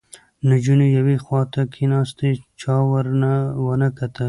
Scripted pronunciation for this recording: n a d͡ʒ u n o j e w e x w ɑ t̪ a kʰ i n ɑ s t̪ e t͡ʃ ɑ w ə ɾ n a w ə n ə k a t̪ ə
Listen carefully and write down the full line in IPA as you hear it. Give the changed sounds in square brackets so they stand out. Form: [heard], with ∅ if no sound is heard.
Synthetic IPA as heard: n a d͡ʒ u n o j [a] w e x w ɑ t̪ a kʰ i n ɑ s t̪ e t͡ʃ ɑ w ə ɾ n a w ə n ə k a t̪ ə

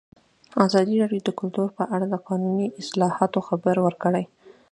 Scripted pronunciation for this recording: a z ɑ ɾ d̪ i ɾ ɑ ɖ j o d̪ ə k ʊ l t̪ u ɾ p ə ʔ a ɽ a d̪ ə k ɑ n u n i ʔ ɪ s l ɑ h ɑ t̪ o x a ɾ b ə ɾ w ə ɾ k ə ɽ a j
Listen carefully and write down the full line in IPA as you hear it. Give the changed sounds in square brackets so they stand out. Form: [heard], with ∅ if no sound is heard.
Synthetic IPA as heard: a z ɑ [∅] d̪ i ɾ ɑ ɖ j o d̪ ə k ʊ l t̪ u ɾ p ə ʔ a ɽ a d̪ ə [q] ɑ n u n i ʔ ɪ s l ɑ h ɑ t̪ o x a [∅] b ə ɾ w ə ɾ k ə ɽ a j

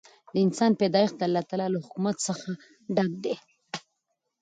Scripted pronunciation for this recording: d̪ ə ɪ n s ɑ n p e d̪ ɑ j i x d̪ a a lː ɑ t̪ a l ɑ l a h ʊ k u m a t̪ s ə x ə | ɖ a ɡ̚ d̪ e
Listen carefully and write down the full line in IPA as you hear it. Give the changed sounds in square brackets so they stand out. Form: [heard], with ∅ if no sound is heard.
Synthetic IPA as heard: d̪ ə ɪ n s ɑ n p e d̪ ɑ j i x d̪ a a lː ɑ t̪ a l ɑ l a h ʊ k u m a t̪ s ə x [a] | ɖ a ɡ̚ d̪ e

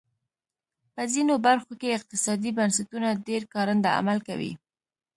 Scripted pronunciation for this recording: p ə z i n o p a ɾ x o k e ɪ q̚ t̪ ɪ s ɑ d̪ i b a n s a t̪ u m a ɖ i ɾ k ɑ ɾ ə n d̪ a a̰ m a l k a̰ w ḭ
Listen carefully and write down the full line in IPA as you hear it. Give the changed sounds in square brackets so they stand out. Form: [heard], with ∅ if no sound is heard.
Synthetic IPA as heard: p ə z i n o [b] a ɾ x o k e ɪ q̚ t̪ ɪ s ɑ d̪ i b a n s a t̪ u [n] a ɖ [e] ɾ k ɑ ɾ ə n d̪ a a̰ m a l k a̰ w ḭ

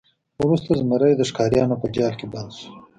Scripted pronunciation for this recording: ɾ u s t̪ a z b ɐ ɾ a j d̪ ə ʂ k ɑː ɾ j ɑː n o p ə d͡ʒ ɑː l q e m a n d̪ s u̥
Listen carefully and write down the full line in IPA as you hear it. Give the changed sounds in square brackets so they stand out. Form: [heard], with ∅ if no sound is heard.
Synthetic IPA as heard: ɾ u s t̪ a z [m] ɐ ɾ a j d̪ ə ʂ k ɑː ɾ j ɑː n o p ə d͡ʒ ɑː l [k] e [b] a n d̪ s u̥

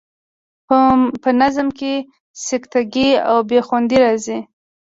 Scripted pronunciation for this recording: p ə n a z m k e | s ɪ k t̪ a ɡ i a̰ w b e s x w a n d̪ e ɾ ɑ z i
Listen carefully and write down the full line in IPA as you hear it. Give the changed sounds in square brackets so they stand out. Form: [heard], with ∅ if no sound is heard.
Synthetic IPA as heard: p ə n a z m k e | s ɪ k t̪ a ɡ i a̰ w b e [∅] x w a n d̪ [i] ɾ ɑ z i

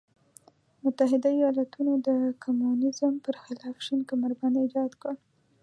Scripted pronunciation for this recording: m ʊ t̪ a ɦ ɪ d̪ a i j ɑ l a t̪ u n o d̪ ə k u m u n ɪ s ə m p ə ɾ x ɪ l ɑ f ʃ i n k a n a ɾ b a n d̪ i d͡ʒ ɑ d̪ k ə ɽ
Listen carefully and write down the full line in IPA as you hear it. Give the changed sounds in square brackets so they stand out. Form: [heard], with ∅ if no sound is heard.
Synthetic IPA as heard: m ʊ t̪ a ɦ ɪ d̪ a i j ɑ l a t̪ u n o d̪ ə k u m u n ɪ [z] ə m p ə ɾ x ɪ l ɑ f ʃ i n k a [m] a ɾ b a n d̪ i d͡ʒ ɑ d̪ k ə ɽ

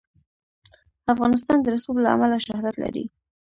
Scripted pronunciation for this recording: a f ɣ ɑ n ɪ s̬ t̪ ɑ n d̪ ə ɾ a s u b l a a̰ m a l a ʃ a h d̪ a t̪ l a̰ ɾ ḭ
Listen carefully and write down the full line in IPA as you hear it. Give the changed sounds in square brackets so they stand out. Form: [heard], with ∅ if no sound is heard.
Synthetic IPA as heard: a f ɣ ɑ n ɪ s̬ t̪ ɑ n d̪ ə ɾ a s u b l a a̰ m a l a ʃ a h d̪ a t̪ l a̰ ɾ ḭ

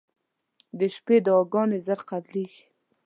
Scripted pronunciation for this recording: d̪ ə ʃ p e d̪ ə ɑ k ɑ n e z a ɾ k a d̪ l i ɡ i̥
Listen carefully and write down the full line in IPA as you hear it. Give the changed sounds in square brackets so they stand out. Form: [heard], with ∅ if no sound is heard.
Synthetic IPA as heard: d̪ ə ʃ p e d̪ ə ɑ [ɡ] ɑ n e z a ɾ [q] a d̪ l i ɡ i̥

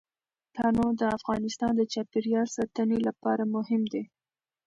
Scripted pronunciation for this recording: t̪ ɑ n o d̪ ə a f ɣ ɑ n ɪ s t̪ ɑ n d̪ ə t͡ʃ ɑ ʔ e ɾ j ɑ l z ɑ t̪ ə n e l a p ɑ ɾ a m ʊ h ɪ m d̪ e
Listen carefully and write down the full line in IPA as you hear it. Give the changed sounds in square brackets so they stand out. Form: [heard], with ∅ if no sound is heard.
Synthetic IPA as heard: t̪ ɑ n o d̪ ə a f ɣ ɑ n ɪ s t̪ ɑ n d̪ ə t͡ʃ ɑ [p] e ɾ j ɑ l [s] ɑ t̪ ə n e l a p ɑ ɾ a m ʊ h ɪ m d̪ e

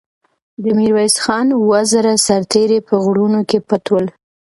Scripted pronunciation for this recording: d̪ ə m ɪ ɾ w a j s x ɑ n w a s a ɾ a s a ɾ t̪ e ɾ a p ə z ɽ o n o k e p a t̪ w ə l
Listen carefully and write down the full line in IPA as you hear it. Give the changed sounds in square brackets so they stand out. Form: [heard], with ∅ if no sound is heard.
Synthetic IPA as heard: d̪ ə m [i] ɾ w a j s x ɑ n w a [z] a ɾ a s a ɾ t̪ e ɾ [e] p ə [ɣ] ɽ [u] n o k e p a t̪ w ə l

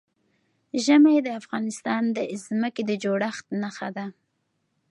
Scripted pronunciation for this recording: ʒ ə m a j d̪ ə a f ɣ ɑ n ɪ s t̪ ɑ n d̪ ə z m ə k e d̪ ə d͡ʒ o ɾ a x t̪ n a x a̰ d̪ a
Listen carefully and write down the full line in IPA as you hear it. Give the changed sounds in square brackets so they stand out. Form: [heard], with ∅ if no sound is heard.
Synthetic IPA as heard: ʒ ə m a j d̪ ə a f ɣ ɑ n ɪ s t̪ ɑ n d̪ ə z m ə k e d̪ ə d͡ʒ o [ɽ] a x t̪ n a x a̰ d̪ a

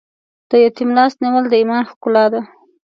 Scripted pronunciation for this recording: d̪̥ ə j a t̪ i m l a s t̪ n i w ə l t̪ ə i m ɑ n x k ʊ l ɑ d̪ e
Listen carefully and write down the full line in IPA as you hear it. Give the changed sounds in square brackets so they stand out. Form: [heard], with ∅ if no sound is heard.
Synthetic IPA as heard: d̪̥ ə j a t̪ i m l [ɑ] s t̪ n i w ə l [d̪] ə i m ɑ n x k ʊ l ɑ d̪ [a]

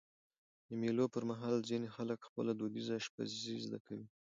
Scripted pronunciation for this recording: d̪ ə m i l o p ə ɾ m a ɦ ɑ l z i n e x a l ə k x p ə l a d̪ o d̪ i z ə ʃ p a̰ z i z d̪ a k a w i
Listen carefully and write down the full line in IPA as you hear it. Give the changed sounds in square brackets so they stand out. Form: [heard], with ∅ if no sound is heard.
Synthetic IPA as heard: d̪ ə m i l o p ə ɾ m a ɦ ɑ l z i n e x a l ə k x p ə l a d̪ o d̪ i z [a] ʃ p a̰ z i z d̪ a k a w i

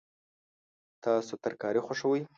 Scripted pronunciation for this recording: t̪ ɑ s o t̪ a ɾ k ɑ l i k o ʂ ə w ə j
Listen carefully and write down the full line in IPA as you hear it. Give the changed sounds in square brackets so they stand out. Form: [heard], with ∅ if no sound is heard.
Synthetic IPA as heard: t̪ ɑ s o t̪ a ɾ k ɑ [ɾ] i [x] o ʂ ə w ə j

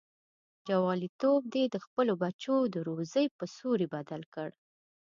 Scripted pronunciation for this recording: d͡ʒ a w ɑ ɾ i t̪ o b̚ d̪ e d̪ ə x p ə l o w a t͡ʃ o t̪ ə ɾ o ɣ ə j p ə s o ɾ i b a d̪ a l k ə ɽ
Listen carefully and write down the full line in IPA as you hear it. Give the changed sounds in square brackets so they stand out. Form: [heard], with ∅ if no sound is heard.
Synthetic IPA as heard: d͡ʒ a w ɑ [l] i t̪ o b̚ d̪ e d̪ ə x p ə l o [b] a t͡ʃ o [d̪] ə ɾ o [z] ə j p ə s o ɾ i b a d̪ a l k ə ɽ

